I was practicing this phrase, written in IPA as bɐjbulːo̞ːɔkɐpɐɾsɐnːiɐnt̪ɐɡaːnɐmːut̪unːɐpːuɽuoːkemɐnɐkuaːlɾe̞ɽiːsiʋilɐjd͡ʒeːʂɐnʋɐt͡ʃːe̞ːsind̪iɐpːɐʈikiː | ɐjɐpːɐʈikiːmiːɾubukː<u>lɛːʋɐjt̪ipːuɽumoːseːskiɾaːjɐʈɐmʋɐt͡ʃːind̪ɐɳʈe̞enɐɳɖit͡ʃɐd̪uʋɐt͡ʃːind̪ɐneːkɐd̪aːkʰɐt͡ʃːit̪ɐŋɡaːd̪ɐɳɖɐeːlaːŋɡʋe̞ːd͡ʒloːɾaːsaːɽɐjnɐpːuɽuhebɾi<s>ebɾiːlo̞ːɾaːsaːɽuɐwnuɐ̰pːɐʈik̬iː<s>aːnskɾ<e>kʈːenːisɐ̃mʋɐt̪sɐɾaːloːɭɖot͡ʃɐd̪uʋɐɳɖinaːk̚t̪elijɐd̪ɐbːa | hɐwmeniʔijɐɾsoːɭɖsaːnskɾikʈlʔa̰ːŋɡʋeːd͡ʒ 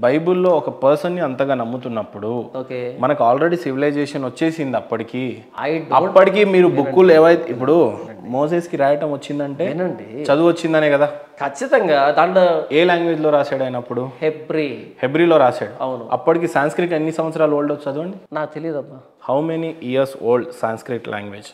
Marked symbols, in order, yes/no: yes, no, yes, no

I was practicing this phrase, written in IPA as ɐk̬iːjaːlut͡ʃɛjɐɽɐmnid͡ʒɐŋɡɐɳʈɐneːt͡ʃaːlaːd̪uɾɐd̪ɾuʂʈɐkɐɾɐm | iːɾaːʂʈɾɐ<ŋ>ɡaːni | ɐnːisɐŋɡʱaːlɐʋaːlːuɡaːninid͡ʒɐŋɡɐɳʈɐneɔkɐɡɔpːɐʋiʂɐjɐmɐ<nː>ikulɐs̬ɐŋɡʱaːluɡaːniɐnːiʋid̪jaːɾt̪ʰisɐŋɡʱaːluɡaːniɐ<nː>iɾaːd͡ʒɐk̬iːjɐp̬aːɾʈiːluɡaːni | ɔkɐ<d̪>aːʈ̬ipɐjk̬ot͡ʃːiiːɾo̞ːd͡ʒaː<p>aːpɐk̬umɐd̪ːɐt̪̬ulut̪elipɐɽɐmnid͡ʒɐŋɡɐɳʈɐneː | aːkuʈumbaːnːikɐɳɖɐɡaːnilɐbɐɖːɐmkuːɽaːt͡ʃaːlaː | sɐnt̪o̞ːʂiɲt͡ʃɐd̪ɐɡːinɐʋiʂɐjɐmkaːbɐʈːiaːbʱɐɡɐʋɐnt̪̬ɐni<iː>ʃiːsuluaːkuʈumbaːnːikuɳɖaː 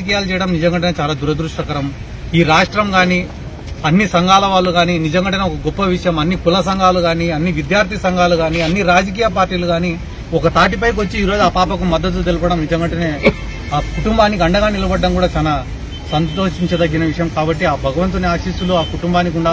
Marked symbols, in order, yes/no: no, yes, yes, no, yes, no

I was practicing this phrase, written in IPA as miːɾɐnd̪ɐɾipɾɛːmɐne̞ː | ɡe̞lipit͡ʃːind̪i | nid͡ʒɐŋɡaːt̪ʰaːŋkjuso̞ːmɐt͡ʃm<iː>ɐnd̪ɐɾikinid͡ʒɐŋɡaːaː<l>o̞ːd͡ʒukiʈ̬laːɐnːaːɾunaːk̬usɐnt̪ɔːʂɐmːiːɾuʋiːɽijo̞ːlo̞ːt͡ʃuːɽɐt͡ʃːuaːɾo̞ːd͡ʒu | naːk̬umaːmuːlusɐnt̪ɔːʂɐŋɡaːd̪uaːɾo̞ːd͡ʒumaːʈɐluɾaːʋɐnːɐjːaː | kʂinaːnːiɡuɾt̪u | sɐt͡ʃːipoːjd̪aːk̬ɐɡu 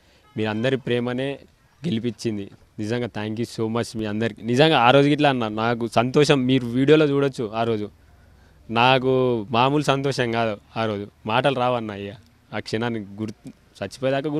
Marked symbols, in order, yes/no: yes, no

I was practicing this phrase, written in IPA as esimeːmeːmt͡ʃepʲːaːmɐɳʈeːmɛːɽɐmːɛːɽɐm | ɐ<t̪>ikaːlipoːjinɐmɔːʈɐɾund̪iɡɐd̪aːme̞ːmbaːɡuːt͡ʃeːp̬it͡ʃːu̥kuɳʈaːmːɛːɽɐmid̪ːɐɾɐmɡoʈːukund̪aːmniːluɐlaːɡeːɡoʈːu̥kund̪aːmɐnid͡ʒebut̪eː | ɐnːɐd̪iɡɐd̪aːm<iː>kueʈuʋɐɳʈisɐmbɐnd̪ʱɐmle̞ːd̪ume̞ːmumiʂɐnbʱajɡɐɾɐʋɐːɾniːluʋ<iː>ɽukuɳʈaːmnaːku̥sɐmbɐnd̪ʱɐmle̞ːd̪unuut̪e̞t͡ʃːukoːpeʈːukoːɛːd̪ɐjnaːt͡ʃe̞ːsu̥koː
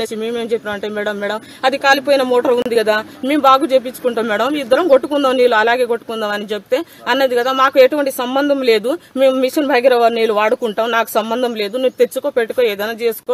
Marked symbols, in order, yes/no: no, no, no

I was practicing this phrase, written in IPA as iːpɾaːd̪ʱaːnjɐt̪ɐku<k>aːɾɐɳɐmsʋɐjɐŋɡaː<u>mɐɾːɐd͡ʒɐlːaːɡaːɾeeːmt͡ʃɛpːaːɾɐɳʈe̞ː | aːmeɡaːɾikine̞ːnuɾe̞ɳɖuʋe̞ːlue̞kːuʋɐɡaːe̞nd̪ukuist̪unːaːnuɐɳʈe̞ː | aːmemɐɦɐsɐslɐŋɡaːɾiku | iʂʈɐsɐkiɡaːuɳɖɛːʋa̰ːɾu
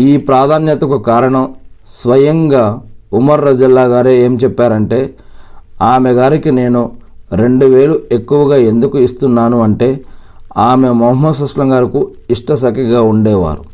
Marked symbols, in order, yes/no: yes, yes

